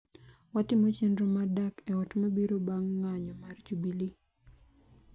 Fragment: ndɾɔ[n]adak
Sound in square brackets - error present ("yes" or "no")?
yes